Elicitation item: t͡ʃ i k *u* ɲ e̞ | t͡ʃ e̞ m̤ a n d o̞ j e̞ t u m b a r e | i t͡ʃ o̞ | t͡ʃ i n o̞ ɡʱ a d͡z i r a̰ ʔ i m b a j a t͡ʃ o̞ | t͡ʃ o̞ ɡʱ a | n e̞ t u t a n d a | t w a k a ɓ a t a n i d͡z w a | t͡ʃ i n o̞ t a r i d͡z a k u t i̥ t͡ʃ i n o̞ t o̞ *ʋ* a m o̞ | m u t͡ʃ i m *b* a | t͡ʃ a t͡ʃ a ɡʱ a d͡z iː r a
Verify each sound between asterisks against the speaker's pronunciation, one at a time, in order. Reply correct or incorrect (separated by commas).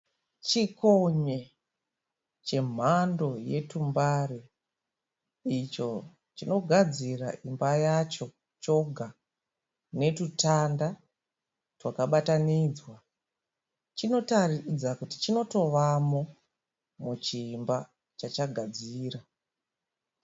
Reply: incorrect, correct, correct